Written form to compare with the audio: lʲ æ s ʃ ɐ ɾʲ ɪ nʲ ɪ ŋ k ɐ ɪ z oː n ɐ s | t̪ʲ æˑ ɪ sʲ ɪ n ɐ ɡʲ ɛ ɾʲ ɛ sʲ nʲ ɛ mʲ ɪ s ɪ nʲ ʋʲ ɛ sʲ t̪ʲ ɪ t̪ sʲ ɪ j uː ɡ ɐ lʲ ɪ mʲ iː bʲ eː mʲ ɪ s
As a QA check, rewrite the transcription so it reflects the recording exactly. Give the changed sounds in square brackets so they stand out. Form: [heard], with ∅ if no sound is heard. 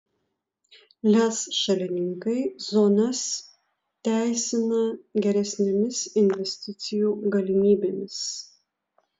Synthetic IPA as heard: lʲ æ s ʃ ɐ [lʲ] ɪ nʲ ɪ ŋ k ɐ ɪ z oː n ɐ s | t̪ʲ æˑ ɪ sʲ ɪ n ɐ ɡʲ ɛ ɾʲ ɛ sʲ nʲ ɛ mʲ ɪ s ɪ nʲ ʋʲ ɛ sʲ t̪ʲ ɪ t̪ sʲ ɪ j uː ɡ ɐ lʲ ɪ mʲ iː bʲ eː mʲ ɪ s